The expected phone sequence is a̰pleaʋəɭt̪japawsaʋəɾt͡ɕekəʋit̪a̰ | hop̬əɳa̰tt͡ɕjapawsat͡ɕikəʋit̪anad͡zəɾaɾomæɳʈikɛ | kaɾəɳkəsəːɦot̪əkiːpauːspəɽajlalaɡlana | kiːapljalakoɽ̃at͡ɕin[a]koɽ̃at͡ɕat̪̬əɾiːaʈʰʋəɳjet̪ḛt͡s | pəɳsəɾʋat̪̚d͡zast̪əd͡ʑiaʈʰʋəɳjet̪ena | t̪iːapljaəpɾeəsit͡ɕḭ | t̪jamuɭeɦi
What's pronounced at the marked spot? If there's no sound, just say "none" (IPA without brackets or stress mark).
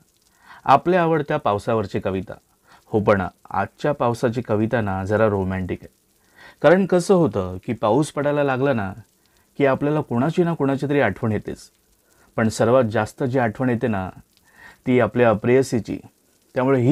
a